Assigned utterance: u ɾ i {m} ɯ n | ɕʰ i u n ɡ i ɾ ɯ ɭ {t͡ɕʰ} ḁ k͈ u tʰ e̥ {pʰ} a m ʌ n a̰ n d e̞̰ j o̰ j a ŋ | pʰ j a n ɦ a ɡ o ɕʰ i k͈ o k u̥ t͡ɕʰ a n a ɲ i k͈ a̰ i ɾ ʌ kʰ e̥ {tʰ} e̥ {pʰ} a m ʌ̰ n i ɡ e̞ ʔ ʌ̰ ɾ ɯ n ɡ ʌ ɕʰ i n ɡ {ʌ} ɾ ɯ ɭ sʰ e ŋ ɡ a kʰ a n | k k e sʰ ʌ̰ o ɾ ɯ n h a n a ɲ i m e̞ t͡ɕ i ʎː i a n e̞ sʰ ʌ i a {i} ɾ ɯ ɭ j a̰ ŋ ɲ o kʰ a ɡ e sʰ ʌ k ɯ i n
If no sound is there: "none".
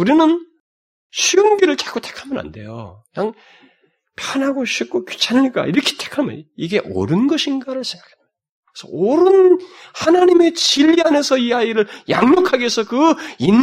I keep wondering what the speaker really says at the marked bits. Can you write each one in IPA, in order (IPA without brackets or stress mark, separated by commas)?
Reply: n, t͡ɕ, kʰ, tʰ, kʰ, a, i